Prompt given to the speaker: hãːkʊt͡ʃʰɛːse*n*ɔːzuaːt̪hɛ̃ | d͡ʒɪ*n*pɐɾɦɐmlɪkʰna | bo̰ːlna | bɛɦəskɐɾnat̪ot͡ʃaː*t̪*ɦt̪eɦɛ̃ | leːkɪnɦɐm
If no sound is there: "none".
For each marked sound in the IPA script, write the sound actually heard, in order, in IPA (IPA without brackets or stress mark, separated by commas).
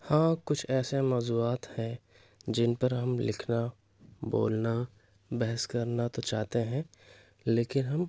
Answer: m, n, none